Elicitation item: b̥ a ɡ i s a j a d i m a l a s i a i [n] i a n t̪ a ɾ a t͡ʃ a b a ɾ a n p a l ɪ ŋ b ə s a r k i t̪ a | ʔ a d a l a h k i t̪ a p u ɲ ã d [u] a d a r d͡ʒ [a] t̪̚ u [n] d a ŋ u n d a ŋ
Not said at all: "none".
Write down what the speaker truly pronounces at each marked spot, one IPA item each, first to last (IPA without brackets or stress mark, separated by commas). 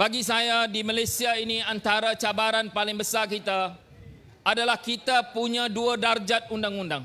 n, u, a, n